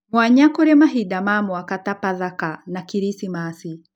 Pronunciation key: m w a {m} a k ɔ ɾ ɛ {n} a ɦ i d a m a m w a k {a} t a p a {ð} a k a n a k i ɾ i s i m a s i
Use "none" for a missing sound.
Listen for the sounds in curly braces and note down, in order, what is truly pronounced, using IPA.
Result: ɲ, m, a, ð

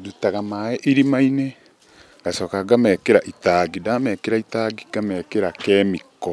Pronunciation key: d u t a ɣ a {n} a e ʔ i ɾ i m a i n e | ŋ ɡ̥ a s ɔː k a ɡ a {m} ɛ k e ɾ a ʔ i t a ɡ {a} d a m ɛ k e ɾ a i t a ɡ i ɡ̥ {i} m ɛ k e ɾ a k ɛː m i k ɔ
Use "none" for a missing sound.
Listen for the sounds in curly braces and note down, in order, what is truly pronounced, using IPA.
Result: m, m, i, a

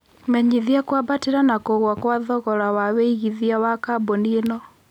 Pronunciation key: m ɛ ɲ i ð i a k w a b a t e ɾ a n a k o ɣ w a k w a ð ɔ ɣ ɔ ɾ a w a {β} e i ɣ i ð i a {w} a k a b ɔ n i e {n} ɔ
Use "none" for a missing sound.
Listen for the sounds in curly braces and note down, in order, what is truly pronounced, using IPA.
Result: w, w, n

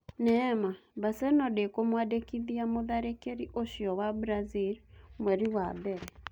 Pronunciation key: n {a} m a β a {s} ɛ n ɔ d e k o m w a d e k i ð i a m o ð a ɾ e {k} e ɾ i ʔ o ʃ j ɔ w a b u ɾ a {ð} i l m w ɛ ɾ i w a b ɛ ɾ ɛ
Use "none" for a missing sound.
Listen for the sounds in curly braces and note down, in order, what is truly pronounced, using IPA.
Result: ɛ, s, k, z

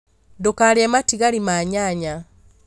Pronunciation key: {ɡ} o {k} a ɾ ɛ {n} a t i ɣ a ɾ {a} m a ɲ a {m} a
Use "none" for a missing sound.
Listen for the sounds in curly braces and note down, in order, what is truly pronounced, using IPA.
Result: d, k, m, i, ɲ

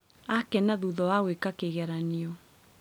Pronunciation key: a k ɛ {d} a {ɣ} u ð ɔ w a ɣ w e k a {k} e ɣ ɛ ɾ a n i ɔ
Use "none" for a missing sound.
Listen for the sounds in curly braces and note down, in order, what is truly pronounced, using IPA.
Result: n, ð, k

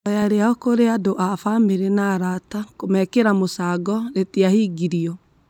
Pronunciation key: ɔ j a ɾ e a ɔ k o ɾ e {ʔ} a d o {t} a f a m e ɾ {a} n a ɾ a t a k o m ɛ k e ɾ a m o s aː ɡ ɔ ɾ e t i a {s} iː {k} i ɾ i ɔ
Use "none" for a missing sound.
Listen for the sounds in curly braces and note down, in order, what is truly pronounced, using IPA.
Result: none, ʔ, e, h, ɡ

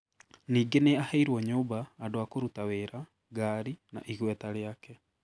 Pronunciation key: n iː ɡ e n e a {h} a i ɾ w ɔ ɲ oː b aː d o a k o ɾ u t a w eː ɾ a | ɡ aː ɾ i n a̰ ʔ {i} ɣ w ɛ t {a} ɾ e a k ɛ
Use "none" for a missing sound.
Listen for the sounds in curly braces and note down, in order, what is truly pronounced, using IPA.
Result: h, i, a

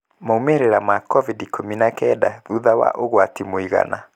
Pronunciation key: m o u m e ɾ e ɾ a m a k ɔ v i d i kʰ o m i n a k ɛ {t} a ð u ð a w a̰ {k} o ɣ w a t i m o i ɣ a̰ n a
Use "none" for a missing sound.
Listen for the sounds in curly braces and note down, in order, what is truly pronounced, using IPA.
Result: d, ʔ

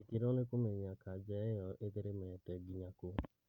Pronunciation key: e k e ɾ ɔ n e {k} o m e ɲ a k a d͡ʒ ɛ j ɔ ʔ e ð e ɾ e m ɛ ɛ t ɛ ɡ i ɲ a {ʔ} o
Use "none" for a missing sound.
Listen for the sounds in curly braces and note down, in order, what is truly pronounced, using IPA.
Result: k, k

